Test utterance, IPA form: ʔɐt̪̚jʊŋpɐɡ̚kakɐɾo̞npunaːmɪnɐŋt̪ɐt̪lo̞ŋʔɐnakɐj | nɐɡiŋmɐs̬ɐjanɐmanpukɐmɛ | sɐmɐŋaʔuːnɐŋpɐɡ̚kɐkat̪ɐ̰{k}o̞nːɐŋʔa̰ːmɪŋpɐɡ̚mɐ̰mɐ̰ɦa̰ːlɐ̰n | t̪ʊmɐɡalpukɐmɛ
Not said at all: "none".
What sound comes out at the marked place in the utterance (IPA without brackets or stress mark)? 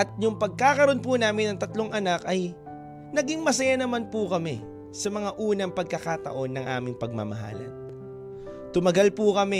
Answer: ʔ